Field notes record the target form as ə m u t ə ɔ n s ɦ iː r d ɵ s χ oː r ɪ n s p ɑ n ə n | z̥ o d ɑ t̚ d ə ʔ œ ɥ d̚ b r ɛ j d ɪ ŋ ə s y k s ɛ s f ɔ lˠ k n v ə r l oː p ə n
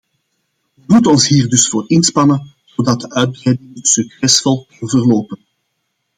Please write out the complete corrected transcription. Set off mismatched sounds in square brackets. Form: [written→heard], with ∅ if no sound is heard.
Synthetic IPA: ə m u t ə ɔ n s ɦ iː r d ɵ s [χ→f] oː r ɪ n s p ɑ n ə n | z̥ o d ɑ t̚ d ə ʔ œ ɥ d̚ b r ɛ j d ɪ ŋ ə s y k s ɛ s f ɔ lˠ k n v ə r l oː p ə n

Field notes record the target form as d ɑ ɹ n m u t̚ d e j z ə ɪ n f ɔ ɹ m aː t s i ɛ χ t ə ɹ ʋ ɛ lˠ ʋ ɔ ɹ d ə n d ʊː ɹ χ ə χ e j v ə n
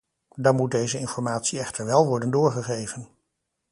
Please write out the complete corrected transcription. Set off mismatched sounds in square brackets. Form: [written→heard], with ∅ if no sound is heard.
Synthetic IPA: d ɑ [ɹ→∅] n m u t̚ d e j z ə ɪ n f ɔ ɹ m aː t s i ɛ χ t ə ɹ ʋ ɛ lˠ ʋ ɔ ɹ d ə n d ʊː ɹ χ ə χ e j v ə n

